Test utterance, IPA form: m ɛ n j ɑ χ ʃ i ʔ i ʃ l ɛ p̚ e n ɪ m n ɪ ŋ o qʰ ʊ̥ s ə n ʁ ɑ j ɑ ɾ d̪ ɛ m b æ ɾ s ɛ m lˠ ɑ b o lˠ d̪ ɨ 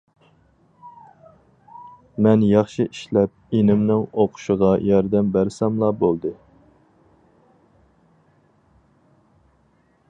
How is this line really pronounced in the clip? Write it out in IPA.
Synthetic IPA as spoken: m ɛ n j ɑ χ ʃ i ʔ i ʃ l ɛ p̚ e n ɪ m n ɪ ŋ o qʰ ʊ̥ ʃ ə ʁ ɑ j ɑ ɾ d̪ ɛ m b æ ɾ s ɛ m lˠ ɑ b o lˠ d̪ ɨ